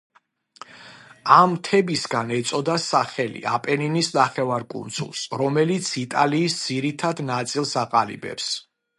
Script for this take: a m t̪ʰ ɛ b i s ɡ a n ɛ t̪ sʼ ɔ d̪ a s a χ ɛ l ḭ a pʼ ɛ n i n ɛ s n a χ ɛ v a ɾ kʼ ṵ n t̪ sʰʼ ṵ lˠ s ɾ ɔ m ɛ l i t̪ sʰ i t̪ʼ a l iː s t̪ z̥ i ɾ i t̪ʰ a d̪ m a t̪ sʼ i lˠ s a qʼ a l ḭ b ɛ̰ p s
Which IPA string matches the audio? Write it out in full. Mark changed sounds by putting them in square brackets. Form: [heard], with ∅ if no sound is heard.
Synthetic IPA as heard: a m t̪ʰ ɛ b i s ɡ a n ɛ t̪ sʼ ɔ d̪ a s a χ ɛ l ḭ a pʼ ɛ n i n [i] s n a χ ɛ v a ɾ kʼ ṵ n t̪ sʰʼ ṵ lˠ s ɾ ɔ m ɛ l i t̪ sʰ i t̪ʼ a l iː s [d̪] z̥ i ɾ i t̪ʰ a d̪ [n] a t̪ sʼ i lˠ s a qʼ a l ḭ b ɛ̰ p s